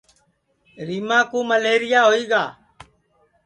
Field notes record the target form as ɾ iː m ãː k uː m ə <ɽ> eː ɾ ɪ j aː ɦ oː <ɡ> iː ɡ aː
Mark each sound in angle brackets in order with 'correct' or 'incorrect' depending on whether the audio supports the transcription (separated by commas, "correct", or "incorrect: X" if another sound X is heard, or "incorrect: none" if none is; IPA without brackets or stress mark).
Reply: incorrect: l, incorrect: none